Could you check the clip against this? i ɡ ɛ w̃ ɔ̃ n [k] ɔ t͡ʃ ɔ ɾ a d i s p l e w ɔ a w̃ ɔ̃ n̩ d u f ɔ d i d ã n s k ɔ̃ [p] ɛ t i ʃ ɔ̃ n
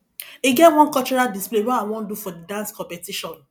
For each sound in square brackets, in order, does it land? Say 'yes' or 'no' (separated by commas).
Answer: yes, yes